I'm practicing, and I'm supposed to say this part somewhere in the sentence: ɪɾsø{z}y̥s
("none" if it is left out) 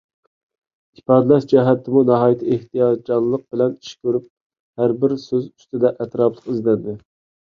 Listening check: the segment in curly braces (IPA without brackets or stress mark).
z